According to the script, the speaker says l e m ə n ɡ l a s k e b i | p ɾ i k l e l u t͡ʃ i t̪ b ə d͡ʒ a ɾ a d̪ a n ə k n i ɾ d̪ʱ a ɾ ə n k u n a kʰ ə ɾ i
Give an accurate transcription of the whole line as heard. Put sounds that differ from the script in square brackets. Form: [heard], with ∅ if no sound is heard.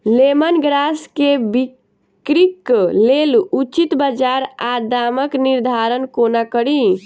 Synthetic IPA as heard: l e m ə n ɡ [ɾ] a s k e b i | [k] ɾ i k l e l u t͡ʃ i t̪ b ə d͡ʒ a ɾ a d̪ a [m] ə k n i ɾ d̪ʱ a ɾ ə n k [o] n a [k] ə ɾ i